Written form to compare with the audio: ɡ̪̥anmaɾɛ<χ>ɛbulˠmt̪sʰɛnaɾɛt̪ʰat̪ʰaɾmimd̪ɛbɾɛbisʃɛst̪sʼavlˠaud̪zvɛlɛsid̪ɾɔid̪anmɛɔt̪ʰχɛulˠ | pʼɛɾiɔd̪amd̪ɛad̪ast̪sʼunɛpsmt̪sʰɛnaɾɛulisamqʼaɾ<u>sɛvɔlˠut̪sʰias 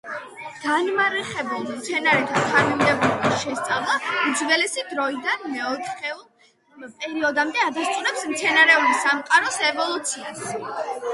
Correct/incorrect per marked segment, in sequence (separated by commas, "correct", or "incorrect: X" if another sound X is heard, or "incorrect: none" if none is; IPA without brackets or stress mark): correct, incorrect: ɔ